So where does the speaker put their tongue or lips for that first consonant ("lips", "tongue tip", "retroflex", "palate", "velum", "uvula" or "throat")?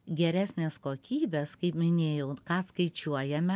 velum